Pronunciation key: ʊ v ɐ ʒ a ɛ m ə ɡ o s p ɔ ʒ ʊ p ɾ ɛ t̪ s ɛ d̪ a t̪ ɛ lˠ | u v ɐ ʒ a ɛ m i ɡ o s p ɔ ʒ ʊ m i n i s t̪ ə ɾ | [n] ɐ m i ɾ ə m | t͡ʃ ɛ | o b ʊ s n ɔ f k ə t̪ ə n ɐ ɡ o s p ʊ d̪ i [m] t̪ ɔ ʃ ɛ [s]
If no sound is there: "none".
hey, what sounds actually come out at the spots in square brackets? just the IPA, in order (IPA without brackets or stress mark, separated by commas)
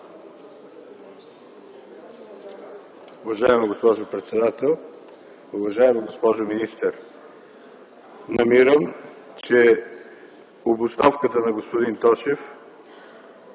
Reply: n, n, f